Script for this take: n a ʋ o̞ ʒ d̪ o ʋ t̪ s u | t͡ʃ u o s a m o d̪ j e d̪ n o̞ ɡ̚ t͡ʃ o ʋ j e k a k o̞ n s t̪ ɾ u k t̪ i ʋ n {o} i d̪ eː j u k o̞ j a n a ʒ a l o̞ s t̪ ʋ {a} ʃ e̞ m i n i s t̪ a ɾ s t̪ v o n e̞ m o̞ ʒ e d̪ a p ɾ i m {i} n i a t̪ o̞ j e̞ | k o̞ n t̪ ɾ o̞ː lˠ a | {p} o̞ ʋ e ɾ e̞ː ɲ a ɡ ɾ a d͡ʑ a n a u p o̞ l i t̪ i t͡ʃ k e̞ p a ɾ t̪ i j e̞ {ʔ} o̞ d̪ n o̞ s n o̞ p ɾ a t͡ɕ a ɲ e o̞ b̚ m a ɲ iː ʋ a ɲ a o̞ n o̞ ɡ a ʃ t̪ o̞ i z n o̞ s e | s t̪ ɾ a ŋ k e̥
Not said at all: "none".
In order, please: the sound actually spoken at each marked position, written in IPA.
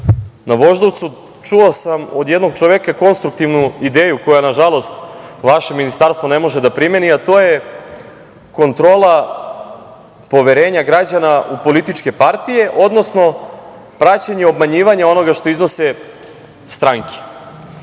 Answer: u, a, e, p, ʔ

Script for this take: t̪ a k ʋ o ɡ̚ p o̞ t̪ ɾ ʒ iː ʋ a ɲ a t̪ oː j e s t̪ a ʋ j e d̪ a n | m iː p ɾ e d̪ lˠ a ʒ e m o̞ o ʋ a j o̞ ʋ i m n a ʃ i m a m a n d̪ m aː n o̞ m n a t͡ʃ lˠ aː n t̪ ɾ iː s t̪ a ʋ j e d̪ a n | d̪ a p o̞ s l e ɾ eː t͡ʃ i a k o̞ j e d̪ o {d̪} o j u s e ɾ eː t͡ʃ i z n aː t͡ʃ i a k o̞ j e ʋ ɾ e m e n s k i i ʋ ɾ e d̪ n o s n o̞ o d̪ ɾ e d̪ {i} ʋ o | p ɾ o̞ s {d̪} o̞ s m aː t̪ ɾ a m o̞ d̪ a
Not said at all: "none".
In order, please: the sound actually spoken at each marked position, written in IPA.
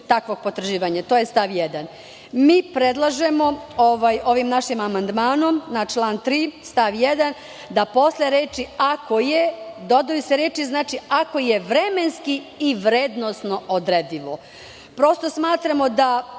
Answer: d̪, i, t̪

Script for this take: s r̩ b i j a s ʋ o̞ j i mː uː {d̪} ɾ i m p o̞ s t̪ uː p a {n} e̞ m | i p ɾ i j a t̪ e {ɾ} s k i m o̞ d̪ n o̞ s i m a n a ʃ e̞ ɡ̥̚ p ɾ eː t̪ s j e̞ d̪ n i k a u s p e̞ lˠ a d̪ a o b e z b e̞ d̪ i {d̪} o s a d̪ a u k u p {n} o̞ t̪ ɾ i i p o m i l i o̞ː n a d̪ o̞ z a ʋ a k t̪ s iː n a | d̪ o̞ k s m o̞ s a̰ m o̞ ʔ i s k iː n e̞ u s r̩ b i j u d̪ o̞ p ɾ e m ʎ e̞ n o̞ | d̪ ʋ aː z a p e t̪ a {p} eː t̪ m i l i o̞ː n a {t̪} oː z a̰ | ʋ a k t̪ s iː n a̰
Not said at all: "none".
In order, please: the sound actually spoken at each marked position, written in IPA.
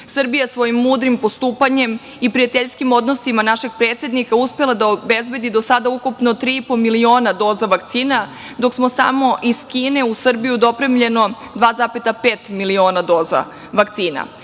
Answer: d̪, ɲ, ʎ, d̪, n, p, d̪

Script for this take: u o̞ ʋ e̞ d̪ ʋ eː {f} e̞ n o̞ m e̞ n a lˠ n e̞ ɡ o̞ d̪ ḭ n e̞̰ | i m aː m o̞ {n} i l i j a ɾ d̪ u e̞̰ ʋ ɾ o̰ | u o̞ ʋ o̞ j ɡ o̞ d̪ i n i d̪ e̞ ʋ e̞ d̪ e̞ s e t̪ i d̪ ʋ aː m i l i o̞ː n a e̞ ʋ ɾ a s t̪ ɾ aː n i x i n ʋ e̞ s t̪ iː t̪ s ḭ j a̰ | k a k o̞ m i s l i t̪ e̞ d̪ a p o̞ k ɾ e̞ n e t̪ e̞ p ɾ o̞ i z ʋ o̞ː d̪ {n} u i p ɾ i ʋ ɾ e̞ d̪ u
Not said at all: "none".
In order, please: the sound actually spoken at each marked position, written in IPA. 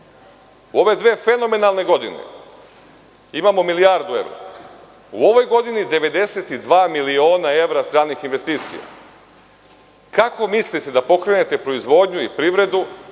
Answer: f, m, ɲ

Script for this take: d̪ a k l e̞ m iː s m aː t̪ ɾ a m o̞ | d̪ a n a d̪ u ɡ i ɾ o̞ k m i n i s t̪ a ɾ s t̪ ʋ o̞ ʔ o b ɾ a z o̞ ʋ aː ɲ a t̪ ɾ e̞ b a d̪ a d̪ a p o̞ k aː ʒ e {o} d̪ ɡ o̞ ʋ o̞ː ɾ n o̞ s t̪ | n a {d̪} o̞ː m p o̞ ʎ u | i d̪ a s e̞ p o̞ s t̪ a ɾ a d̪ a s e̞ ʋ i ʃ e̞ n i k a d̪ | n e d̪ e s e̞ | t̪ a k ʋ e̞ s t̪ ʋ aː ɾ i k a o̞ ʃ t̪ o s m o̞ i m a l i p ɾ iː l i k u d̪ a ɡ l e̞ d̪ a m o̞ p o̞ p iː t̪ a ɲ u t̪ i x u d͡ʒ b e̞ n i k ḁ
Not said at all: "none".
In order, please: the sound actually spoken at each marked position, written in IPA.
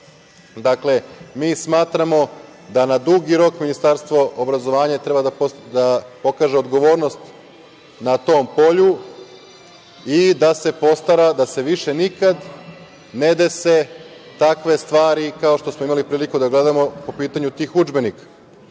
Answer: o, t̪

